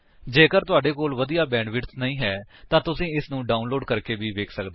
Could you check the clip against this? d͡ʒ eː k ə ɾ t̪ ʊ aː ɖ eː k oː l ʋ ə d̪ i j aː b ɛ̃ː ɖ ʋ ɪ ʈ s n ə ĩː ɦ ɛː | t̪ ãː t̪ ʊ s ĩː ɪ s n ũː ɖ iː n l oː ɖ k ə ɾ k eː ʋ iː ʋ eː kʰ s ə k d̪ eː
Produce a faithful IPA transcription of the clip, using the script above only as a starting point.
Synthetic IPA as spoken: d͡ʒ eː k ə ɾ t̪ ʊ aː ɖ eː k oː l ʋ ə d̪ i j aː b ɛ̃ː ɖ ʋ ɪ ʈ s n ə ĩː ɦ ɛː | t̪ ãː t̪ ʊ s ĩː ɪ s n ũː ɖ aː n l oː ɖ k ə ɾ k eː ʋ iː ʋ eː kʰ s ə k d̪ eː

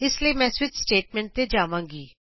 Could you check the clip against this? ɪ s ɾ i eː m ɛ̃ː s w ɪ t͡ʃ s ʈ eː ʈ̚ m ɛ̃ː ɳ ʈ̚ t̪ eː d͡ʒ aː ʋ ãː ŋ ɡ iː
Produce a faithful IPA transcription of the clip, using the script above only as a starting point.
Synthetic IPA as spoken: ɪ s l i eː m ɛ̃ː s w ɪ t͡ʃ s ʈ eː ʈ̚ m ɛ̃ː ɳ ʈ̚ t̪ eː d͡ʒ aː ʋ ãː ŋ ɡ iː

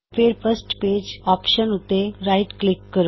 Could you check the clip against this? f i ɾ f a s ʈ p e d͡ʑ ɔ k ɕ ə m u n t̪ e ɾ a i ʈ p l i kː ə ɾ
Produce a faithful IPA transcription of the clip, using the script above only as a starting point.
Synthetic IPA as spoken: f e ɾ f ə s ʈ p e d͡ʑ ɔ p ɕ ə n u t̪ e ɾ a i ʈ k l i kː ə ɾ

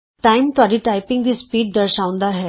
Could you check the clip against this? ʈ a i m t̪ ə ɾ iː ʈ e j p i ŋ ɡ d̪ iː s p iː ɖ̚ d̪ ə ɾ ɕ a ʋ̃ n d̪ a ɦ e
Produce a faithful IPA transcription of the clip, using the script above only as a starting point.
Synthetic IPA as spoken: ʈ a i m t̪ a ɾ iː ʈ a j p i ŋ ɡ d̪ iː s p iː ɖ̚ d̪ ə ɾ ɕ a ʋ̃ n d̪ a ɦ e

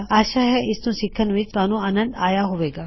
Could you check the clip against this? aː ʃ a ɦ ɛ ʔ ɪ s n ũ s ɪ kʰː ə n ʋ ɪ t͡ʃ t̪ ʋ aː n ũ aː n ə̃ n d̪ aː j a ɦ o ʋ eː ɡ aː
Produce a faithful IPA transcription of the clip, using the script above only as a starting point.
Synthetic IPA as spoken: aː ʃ a ɦ ɛ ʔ ɪ s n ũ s ɪ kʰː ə n ʋ ɪ t͡ʃ t̪ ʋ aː n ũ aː n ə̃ n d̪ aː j a ɦ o ʋ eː ɡ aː

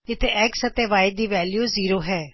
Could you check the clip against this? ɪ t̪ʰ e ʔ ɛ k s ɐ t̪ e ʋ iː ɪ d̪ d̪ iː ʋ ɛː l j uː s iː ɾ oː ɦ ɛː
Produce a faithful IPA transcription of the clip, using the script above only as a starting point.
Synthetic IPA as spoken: ɪ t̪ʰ e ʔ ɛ k s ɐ t̪ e ʋ aː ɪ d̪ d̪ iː ʋ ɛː l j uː z iː ɾ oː ɦ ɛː

